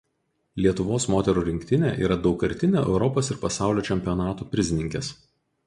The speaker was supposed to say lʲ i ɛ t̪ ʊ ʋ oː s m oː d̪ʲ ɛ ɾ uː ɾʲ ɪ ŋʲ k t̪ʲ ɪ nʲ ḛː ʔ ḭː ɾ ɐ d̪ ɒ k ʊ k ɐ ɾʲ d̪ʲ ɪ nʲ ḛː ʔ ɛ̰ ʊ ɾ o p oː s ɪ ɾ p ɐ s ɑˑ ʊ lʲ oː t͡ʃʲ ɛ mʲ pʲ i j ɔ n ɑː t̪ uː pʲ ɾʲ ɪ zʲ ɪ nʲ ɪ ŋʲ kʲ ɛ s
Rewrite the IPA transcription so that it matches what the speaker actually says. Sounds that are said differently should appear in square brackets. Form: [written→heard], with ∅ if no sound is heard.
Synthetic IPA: lʲ i ɛ t̪ ʊ ʋ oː s m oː [d̪ʲ→t̪ʲ] ɛ ɾ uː ɾʲ ɪ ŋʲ k t̪ʲ ɪ nʲ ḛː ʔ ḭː ɾ ɐ d̪ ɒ [k→∅] ʊ k ɐ ɾʲ [d̪ʲ→t̪ʲ] ɪ nʲ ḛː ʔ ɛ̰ ʊ ɾ [o→ɔ] p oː s ɪ ɾ p ɐ s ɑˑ ʊ lʲ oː t͡ʃʲ ɛ mʲ pʲ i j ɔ n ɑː t̪ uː pʲ ɾʲ ɪ zʲ ɪ nʲ ɪ ŋʲ kʲ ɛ s

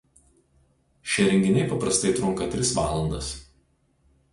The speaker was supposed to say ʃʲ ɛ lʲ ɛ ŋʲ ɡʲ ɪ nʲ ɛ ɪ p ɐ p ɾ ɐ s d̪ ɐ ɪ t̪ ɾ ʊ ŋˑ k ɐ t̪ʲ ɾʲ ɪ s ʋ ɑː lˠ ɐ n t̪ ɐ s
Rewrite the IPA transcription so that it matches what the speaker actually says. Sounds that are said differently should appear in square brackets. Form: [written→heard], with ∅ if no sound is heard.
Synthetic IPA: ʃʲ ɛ [lʲ→ɾʲ] ɛ ŋʲ ɡʲ ɪ nʲ ɛ ɪ p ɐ p ɾ ɐ s [d̪→t̪] ɐ ɪ t̪ ɾ ʊ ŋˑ k ɐ t̪ʲ ɾʲ ɪ s ʋ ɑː lˠ ɐ n [t̪→d̪] ɐ s

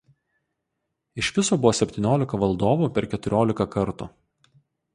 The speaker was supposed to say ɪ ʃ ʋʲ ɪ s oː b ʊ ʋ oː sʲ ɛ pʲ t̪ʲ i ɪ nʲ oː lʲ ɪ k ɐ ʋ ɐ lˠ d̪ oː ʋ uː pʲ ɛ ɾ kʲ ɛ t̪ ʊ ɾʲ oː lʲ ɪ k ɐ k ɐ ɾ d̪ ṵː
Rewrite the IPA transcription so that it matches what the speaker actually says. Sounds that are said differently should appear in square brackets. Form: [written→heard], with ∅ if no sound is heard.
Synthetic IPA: ɪ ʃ ʋʲ ɪ s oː b ʊ ʋ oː sʲ ɛ pʲ t̪ʲ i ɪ nʲ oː lʲ ɪ k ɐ ʋ ɐ lˠ d̪ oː ʋ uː pʲ ɛ ɾ kʲ ɛ t̪ ʊ ɾʲ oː lʲ ɪ k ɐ k ɐ ɾ [d̪→t̪] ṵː

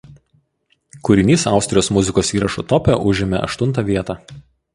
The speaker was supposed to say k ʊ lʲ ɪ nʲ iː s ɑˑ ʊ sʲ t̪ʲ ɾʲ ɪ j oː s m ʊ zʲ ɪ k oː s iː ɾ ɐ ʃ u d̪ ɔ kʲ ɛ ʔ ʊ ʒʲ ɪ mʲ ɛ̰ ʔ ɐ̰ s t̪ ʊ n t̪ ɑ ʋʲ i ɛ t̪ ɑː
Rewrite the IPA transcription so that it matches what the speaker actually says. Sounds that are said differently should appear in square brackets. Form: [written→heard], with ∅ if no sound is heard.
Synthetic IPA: k ʊ [lʲ→ɾʲ] ɪ nʲ iː s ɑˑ ʊ sʲ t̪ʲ ɾʲ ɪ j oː s m ʊ zʲ ɪ k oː s iː ɾ ɐ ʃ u [d̪→t̪] ɔ [kʲ→pʲ] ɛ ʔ ʊ ʒʲ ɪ mʲ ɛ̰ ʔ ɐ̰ [s→ʃ] t̪ ʊ n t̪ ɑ ʋʲ i ɛ t̪ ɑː

